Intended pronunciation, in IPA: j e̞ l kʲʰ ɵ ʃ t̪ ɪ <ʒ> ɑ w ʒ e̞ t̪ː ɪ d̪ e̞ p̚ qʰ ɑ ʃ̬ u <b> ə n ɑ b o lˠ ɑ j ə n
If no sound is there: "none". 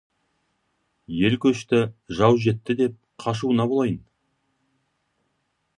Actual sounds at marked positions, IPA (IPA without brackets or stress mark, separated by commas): ʒ, none